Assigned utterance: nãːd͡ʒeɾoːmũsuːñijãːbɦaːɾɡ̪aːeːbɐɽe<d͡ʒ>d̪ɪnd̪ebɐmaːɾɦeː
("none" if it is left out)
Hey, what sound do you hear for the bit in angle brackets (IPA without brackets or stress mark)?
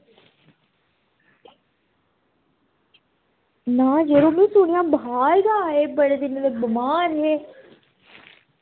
none